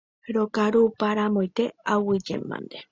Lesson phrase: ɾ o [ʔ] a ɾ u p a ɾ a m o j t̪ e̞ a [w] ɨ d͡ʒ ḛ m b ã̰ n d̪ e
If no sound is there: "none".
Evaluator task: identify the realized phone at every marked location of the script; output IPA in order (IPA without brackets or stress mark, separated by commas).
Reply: k, w